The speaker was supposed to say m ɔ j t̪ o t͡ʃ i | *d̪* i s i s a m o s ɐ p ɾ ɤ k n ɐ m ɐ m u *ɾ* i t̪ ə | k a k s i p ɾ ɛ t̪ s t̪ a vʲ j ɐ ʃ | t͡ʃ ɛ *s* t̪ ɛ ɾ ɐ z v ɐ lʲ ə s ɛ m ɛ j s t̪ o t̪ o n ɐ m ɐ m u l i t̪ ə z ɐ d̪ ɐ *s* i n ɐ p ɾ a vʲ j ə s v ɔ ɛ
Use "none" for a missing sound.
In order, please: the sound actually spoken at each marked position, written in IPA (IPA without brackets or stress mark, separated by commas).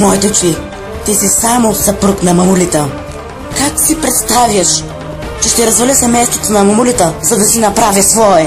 t̪, l, ʃ, s